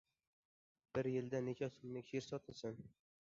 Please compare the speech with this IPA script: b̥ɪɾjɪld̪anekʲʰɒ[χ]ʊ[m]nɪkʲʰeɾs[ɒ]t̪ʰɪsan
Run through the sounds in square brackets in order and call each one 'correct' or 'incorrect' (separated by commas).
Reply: incorrect, correct, correct